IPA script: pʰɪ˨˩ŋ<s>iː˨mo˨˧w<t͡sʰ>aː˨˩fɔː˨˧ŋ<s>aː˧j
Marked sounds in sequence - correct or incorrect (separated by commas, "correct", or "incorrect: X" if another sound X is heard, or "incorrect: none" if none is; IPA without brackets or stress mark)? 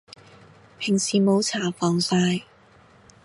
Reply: correct, correct, correct